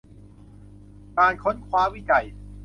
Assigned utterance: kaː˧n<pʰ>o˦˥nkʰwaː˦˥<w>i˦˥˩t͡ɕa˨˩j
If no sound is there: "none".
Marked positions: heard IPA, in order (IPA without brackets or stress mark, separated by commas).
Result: kʰ, w